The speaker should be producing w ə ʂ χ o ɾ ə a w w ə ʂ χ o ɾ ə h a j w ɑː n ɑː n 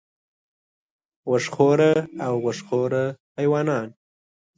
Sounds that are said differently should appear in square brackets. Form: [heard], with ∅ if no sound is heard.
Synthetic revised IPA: w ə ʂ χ o ɾ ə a w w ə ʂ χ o ɾ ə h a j w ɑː n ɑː n